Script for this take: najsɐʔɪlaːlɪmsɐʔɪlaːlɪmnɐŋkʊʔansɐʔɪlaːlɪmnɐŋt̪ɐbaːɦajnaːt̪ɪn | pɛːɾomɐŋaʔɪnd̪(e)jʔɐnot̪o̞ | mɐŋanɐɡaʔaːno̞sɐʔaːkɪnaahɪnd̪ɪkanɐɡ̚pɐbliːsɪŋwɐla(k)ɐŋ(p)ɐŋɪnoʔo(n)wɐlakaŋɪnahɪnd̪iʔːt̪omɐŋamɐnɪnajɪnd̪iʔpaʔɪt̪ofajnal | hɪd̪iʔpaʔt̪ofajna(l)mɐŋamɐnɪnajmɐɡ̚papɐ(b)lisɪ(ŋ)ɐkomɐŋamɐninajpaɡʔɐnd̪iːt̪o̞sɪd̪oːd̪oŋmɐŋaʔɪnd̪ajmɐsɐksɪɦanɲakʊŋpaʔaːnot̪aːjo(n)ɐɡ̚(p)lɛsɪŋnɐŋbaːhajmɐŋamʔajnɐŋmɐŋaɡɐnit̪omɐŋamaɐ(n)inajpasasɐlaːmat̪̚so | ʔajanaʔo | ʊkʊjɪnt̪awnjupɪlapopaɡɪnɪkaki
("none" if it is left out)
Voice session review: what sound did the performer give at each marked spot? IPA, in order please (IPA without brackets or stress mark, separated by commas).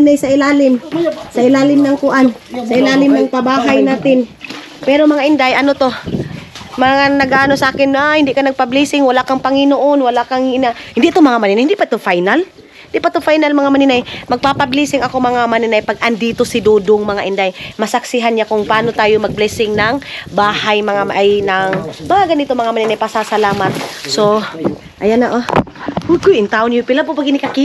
a, k, p, n, l, b, ŋ, m, b, n